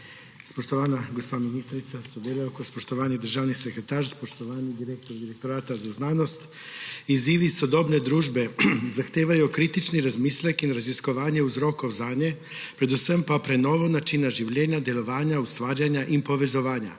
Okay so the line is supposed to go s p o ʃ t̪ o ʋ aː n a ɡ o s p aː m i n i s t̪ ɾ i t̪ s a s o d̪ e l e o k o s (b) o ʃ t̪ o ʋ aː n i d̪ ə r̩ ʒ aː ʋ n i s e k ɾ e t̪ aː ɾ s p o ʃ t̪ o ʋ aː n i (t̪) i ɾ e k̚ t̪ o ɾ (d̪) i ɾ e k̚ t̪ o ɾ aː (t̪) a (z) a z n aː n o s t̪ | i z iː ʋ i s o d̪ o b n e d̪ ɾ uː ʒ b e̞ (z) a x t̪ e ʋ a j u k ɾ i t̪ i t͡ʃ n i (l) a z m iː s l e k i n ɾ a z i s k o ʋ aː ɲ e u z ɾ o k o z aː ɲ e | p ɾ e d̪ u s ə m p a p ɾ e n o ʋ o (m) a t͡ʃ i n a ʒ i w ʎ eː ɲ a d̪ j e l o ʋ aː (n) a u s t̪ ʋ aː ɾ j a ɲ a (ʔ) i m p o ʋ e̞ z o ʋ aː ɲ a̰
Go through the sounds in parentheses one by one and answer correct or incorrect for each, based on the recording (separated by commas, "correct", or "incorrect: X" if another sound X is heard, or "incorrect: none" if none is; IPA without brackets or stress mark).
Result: incorrect: p, incorrect: d̪, correct, correct, correct, correct, incorrect: ɾ, incorrect: n, incorrect: ɲ, correct